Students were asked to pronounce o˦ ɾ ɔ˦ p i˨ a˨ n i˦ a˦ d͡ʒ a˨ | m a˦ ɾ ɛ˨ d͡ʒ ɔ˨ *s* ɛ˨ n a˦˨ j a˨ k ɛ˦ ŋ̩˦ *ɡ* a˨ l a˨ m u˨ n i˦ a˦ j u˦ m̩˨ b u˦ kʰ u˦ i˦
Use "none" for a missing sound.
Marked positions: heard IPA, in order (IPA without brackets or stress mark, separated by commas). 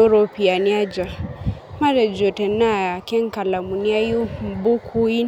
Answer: t, k